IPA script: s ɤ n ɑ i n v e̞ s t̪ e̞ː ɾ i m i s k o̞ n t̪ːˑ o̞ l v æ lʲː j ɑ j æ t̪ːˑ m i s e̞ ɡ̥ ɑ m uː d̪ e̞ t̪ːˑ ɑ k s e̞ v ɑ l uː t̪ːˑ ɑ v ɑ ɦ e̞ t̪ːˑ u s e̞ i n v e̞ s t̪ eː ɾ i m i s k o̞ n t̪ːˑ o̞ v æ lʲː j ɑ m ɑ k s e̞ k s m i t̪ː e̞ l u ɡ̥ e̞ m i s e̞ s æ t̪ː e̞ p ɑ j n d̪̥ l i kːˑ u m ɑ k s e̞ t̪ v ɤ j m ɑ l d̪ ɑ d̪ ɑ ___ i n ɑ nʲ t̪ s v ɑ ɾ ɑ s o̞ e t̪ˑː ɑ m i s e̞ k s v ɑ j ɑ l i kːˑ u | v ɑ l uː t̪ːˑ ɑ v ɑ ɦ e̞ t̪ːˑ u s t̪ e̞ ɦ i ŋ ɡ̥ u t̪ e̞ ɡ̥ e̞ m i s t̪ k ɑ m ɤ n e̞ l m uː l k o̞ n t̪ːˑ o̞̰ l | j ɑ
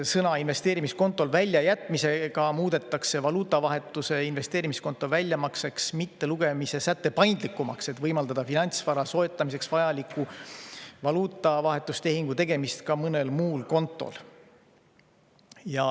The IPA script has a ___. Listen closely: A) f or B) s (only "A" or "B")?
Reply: A